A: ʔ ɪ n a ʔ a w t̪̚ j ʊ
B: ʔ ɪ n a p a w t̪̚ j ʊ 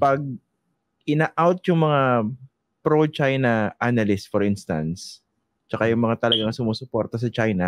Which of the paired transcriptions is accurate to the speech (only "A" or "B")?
A